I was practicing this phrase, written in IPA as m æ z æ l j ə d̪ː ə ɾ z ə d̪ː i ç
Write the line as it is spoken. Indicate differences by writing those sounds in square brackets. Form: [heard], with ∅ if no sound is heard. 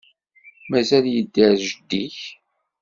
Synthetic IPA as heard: m æ z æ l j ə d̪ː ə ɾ [ʒ] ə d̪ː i ç